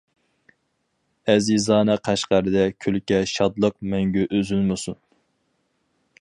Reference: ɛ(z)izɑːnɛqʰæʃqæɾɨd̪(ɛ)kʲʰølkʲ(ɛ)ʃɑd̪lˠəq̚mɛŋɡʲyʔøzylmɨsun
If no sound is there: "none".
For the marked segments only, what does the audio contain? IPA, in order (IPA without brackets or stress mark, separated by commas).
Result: z, ɛ, ɛ